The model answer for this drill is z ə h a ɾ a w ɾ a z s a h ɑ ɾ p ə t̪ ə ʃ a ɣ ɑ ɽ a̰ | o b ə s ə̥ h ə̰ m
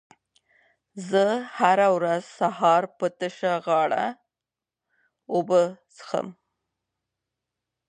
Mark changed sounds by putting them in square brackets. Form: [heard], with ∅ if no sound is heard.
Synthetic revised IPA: z ə h a ɾ a w ɾ a z s a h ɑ ɾ p ə t̪ ə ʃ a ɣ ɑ ɽ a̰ | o b ə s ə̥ [x] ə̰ m